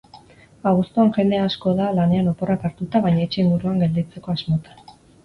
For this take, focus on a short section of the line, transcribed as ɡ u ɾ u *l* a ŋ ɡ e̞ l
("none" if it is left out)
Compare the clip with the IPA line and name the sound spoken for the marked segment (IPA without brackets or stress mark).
none